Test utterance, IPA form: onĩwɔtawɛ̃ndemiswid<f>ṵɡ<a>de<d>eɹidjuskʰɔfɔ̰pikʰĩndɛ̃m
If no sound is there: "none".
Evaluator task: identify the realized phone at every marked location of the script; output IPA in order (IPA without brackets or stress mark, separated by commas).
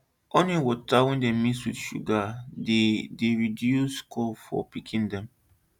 ʃ, a, d